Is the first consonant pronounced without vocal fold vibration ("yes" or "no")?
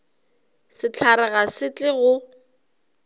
yes